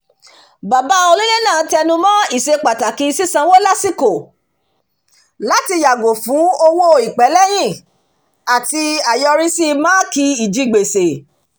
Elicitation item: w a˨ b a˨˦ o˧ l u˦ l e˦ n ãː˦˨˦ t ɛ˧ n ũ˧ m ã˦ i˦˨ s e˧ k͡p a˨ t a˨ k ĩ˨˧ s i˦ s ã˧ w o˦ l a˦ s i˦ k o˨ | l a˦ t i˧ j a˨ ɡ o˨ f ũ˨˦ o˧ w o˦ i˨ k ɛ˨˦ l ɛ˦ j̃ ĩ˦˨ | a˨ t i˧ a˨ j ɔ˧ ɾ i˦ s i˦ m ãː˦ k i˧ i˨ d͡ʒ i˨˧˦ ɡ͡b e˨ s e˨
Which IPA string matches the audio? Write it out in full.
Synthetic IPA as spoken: b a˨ b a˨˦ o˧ l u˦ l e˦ n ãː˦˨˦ t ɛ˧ n ũ˧ m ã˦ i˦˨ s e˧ k͡p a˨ t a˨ k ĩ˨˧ s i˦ s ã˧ w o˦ l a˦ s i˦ k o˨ | l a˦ t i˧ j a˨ ɡ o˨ f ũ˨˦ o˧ w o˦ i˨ k͡p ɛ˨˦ l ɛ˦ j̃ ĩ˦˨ | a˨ t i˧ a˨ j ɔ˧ ɾ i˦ s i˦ m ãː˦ k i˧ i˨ d͡ʒ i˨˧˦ ɡ͡b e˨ s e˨